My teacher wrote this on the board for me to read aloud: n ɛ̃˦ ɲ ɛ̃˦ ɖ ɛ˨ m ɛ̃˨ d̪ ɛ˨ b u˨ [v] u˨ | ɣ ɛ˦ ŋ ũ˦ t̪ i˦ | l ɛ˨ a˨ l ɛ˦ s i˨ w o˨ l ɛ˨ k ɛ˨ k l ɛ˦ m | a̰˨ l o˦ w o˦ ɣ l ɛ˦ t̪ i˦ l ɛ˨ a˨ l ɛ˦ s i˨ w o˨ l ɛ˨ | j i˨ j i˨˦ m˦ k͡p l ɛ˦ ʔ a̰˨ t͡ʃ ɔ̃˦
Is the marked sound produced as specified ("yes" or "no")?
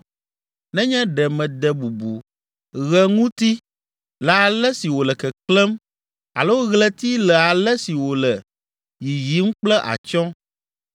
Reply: no